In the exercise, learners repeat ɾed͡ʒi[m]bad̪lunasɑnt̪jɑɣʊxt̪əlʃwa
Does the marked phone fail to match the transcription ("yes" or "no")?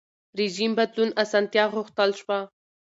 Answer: no